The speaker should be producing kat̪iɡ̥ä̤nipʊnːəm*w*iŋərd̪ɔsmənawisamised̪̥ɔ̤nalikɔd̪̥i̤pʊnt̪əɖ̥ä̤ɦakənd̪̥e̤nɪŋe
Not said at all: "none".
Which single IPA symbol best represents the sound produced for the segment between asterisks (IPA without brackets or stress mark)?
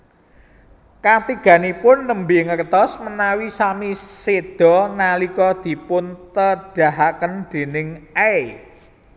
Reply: b